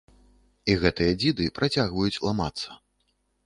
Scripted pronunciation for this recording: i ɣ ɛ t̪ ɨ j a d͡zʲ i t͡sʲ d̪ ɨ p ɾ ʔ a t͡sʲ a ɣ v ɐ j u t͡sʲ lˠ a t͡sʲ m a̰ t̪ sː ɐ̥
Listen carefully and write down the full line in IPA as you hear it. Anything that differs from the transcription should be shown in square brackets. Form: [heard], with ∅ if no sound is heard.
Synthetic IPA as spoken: i ɣ ɛ t̪ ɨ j [ɐ] d͡zʲ i [∅] d̪ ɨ p ɾ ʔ a t͡sʲ a ɣ v ɐ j u t͡sʲ lˠ a [∅] m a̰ t̪ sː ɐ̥

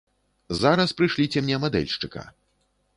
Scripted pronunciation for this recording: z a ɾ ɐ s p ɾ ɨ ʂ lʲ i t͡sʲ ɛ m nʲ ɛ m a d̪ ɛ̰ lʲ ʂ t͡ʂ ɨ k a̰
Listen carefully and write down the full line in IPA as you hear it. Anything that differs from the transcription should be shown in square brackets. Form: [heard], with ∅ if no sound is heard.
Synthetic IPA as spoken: z a ɾ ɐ s p ɾ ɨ ʂ lʲ i t͡sʲ ɛ m nʲ ɛ m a d̪ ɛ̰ lʲ ʂ t͡ʂ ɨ k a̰

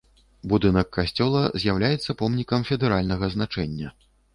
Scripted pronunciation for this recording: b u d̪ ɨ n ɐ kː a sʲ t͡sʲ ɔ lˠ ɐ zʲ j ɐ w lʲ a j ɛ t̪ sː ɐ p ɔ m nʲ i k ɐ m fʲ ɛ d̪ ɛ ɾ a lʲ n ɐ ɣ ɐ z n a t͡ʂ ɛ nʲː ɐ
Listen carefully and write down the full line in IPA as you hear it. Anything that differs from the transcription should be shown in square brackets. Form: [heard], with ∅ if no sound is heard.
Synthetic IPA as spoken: b u d̪ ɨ n ɐ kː a sʲ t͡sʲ ɔ lˠ ɐ zʲ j [a] w lʲ a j ɛ t̪ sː ɐ p ɔ m nʲ i k ɐ m fʲ ɛ d̪ ɛ ɾ a lʲ n ɐ ɣ ɐ z n a t͡ʂ ɛ nʲː ɐ

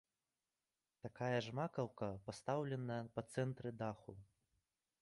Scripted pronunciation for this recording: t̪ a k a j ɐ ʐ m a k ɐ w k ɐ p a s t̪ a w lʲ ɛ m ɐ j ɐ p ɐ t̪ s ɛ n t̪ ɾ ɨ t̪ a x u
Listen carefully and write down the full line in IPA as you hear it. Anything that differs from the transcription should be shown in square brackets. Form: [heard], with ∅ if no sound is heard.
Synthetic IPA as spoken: t̪ a k a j ɐ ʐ m a k ɐ w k ɐ p a s t̪ a w lʲ ɛ [n] ɐ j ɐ p ɐ t̪ s ɛ n t̪ ɾ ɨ [d̪] a x u

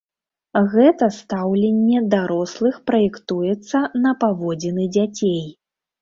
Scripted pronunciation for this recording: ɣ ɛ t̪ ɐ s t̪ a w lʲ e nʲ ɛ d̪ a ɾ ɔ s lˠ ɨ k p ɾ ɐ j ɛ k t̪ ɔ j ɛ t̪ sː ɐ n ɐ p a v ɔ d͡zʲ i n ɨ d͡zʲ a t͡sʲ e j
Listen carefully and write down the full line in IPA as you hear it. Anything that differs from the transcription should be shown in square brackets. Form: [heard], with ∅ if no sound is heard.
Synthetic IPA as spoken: ɣ ɛ t̪ ɐ s t̪ a w lʲ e [nʲː] ɛ d̪ a ɾ ɔ s lˠ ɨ [x] p ɾ ɐ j ɛ k t̪ [u] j ɛ t̪ sː ɐ n ɐ p a v ɔ d͡zʲ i n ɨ d͡zʲ a t͡sʲ e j

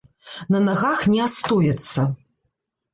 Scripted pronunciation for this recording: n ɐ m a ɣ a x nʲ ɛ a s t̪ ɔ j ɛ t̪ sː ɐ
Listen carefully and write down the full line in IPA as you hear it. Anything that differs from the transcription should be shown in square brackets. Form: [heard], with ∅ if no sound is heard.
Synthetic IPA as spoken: n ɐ [n] a ɣ a x nʲ ɛ a s t̪ ɔ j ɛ t̪ sː ɐ

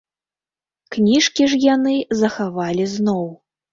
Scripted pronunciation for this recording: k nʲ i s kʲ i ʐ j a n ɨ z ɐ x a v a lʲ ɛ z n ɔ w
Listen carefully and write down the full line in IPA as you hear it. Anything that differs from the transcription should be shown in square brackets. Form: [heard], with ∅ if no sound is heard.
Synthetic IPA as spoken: k nʲ i [ʂ] kʲ i ʐ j a n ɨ z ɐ x a v a lʲ [i] z n ɔ w

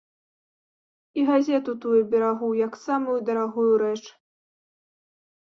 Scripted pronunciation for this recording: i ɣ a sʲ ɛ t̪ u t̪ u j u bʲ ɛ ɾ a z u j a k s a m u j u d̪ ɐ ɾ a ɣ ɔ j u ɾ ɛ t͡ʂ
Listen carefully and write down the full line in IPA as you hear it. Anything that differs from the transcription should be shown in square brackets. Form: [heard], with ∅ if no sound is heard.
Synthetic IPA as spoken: i ɣ a [zʲ] ɛ t̪ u t̪ u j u bʲ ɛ ɾ a [ɣ] u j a k s a m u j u d̪ ɐ ɾ a ɣ [u] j u ɾ ɛ t͡ʂ

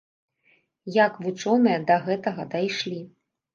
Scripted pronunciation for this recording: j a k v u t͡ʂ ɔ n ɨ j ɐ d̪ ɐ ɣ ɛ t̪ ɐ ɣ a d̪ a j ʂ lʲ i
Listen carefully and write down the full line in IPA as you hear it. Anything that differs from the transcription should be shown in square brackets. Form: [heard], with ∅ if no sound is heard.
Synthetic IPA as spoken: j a k v u t͡ʂ ɔ n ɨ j ɐ d̪ ɐ ɣ ɛ t̪ ɐ ɣ [ɐ] d̪ a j ʂ lʲ i

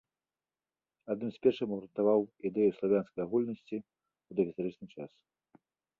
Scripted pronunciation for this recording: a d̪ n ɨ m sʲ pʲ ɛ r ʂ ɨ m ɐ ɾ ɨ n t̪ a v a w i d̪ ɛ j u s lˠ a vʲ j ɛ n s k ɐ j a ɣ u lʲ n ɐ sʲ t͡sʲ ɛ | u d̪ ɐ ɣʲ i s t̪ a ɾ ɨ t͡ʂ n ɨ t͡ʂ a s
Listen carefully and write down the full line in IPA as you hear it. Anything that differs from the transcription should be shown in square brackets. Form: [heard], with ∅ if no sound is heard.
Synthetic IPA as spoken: a d̪ n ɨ m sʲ pʲ ɛ r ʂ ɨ m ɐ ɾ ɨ n t̪ a v a w i d̪ ɛ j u s lˠ a vʲ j [a] n s k ɐ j a ɣ u lʲ n ɐ sʲ t͡sʲ [i] | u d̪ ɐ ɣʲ i s t̪ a ɾ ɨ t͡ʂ n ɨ t͡ʂ a s

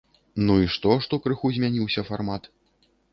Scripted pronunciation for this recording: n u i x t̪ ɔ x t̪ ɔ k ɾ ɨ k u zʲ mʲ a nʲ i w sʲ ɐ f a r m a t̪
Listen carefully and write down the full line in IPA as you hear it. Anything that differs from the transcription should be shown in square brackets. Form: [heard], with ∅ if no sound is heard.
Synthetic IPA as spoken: n u i [ʂ] t̪ ɔ [ʂ] t̪ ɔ k ɾ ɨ [x] u zʲ mʲ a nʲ i w sʲ ɐ f a r m a t̪

